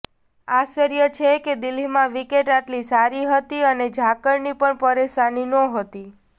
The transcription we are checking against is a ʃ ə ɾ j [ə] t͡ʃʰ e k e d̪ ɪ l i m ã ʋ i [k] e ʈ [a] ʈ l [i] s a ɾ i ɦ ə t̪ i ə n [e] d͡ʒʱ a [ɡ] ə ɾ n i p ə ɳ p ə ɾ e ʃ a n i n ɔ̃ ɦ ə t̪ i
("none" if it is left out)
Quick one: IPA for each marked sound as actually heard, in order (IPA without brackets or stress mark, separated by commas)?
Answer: ə, k, a, i, e, k